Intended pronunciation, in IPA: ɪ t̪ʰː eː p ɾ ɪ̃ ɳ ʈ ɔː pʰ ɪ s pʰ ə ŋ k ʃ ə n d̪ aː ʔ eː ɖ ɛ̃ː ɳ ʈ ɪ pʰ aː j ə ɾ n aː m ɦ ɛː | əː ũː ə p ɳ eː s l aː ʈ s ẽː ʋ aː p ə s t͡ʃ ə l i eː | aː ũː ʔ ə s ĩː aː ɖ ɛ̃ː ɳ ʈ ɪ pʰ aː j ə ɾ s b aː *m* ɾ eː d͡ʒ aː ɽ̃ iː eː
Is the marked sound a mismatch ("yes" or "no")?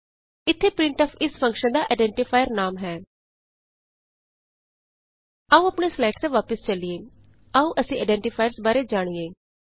yes